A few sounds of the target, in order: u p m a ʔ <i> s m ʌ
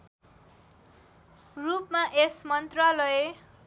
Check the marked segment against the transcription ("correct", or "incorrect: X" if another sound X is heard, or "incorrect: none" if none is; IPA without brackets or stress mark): incorrect: e